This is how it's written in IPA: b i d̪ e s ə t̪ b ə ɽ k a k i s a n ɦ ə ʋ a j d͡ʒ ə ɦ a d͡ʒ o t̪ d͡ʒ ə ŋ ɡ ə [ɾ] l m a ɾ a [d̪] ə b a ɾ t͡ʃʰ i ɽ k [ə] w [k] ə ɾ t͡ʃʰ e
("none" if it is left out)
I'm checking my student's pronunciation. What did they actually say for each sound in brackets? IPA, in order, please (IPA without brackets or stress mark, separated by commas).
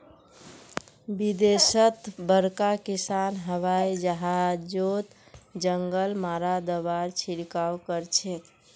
none, d̪, a, k